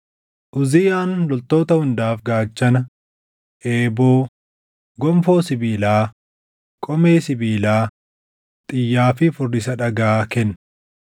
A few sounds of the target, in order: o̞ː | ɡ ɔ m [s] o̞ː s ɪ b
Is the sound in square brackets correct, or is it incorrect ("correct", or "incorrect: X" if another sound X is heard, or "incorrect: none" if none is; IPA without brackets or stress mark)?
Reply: incorrect: f